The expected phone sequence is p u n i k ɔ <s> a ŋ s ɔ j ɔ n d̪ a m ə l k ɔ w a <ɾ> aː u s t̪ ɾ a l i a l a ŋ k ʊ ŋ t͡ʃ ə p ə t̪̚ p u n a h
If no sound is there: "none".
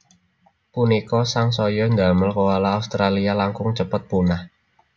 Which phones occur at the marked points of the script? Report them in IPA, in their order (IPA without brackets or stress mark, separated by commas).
s, l